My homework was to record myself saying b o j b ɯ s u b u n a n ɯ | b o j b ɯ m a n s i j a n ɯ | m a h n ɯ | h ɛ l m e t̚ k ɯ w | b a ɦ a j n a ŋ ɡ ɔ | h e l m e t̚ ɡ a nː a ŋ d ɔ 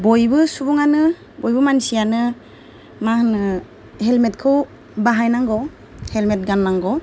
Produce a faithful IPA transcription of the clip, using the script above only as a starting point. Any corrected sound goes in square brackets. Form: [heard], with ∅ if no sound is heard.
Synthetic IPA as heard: b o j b ɯ s u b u [ŋ] a n ɯ | b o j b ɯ m a n s i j a n ɯ | m a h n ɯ | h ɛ l m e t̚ [kʰ] ɯ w | b a ɦ a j n a ŋ ɡ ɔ | h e l m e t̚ ɡ a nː a ŋ [ɡ] ɔ